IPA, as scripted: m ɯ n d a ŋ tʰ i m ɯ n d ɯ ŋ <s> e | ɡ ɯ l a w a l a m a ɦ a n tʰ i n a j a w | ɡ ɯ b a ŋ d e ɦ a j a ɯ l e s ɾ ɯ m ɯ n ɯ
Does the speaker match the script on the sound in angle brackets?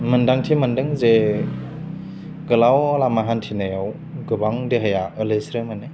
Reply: no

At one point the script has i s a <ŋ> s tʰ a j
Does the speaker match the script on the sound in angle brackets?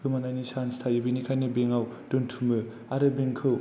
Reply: no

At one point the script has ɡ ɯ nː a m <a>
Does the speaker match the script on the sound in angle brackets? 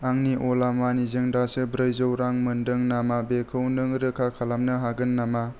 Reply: yes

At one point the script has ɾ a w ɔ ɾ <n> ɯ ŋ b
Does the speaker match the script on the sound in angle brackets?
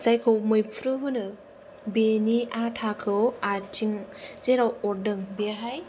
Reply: no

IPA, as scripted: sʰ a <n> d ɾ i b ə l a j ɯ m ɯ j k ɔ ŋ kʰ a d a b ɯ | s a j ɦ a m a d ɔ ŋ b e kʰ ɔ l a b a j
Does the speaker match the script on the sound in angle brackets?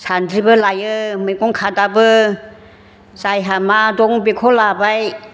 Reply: yes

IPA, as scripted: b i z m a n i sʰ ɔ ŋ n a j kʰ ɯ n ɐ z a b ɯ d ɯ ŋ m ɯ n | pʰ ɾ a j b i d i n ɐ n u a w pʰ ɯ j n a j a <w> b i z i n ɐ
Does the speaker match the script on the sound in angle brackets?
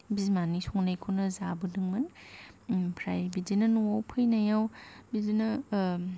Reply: yes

